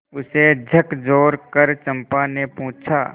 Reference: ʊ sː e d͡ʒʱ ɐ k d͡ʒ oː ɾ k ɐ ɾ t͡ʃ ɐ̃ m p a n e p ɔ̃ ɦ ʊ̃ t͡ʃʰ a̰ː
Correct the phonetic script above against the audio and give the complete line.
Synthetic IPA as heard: ʊ s e d͡ʒʱ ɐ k d͡ʒ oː ɾ k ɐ ɾ t͡ʃ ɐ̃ m p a n e p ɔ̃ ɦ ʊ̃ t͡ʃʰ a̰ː